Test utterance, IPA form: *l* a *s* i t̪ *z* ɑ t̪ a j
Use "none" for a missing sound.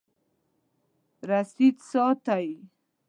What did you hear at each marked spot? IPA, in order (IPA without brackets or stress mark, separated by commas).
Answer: ɾ, s, s